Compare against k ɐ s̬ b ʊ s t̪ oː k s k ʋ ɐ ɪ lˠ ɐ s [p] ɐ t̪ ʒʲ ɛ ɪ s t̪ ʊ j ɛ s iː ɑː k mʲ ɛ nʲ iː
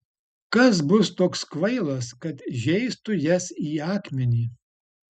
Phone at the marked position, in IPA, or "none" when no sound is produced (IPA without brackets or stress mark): k